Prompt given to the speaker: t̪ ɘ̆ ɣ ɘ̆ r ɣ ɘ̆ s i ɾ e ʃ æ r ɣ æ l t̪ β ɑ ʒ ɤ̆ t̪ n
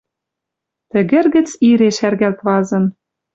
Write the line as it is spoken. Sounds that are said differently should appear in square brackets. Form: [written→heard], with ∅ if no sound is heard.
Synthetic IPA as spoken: t̪ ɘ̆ ɣ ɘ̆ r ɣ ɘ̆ [s→t͡s] i ɾ e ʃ æ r ɣ æ l t̪ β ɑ [ʒ→z] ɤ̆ [t̪→∅] n